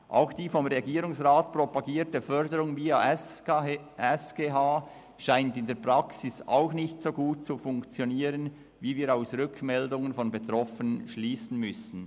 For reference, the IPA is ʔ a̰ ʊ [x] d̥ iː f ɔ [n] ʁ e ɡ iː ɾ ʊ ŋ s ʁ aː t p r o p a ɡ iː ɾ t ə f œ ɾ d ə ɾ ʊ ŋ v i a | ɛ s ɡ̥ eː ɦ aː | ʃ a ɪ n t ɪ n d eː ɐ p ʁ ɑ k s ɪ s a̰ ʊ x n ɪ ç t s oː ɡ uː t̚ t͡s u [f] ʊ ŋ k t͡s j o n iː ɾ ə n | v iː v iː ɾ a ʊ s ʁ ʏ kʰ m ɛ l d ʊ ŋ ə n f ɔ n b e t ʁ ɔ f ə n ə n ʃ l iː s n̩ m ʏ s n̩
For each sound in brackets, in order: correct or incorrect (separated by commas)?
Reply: correct, incorrect, correct